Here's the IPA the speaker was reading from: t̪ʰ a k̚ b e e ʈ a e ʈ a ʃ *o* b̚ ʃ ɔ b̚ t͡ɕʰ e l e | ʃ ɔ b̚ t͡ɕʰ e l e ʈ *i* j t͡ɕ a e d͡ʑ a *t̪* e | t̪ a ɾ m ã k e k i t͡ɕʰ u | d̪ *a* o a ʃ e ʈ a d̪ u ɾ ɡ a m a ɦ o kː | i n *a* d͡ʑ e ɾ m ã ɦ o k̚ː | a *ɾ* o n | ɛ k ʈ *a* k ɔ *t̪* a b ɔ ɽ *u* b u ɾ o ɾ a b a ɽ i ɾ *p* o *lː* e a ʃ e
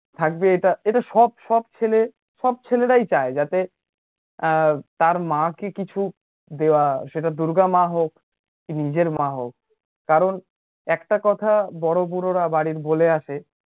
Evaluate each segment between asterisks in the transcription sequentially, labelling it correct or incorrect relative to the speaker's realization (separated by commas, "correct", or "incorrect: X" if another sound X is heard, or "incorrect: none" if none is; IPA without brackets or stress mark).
incorrect: ɔ, incorrect: a, correct, incorrect: e, incorrect: i, correct, correct, incorrect: t̪ʰ, incorrect: o, incorrect: b, incorrect: l